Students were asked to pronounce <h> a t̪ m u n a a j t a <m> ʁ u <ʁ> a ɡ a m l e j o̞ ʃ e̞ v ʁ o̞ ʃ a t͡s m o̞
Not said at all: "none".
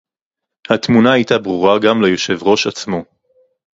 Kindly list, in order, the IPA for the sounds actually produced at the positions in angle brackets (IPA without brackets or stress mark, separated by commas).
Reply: h, b, ʁ